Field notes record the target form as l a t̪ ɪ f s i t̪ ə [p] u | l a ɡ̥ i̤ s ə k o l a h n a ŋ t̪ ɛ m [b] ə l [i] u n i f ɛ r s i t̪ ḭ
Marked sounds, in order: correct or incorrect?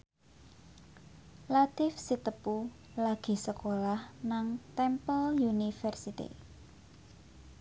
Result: correct, incorrect, incorrect

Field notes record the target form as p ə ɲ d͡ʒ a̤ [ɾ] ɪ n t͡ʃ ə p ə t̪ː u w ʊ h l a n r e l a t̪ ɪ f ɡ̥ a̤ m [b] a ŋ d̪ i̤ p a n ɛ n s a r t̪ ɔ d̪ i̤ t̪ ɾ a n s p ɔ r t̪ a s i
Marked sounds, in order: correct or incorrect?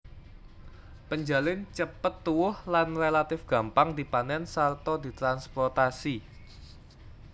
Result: incorrect, incorrect

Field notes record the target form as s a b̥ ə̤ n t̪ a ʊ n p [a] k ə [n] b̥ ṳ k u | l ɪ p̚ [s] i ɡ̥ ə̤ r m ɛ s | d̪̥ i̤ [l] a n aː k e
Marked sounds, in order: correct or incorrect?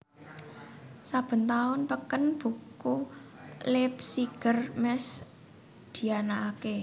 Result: incorrect, correct, correct, incorrect

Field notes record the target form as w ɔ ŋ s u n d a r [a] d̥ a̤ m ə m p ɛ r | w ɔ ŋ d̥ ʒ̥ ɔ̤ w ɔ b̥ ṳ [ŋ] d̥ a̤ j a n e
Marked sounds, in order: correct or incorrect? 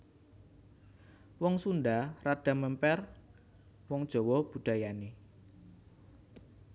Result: correct, incorrect

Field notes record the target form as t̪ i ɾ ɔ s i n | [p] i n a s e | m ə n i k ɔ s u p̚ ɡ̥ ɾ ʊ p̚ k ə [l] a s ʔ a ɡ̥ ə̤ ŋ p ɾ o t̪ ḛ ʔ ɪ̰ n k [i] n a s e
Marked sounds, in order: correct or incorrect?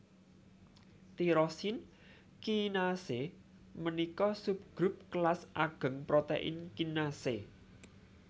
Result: incorrect, correct, correct

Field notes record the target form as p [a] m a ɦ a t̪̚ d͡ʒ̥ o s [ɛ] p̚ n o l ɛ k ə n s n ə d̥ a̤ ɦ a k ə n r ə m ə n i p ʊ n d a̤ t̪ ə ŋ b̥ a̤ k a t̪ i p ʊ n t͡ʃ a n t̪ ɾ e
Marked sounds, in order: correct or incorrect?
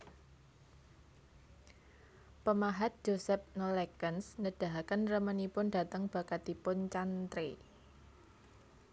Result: incorrect, correct

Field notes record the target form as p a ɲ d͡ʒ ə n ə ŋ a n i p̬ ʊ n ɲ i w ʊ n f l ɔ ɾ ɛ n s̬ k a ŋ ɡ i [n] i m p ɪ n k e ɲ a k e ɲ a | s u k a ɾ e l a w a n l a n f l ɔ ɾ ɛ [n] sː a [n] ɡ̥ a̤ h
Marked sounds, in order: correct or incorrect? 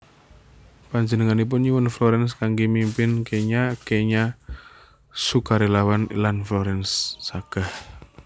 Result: incorrect, correct, incorrect

